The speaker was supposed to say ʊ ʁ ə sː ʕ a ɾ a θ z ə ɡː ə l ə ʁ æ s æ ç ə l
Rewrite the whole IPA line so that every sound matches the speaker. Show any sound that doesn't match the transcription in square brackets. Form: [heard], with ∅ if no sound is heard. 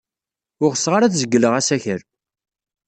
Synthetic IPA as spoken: ʊ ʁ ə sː [ʁ] a ɾ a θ z ə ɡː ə l ə ʁ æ s æ ç ə [ɾ]